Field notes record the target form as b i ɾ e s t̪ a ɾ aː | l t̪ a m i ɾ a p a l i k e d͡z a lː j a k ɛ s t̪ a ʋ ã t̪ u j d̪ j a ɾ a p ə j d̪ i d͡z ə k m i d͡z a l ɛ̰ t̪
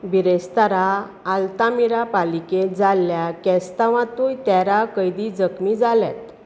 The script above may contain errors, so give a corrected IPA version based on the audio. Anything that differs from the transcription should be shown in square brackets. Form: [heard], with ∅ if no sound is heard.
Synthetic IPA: b i ɾ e s t̪ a ɾ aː | l t̪ a m i ɾ a p a l i k e d͡z a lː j a k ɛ s t̪ a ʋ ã t̪ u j [t̪] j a ɾ a [k] ə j d̪ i d͡z ə k m i d͡z a l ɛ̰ t̪